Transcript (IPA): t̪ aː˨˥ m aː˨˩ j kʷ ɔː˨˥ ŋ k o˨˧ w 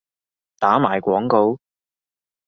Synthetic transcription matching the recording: t̪ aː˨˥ m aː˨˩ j kʷ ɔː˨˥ ŋ k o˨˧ w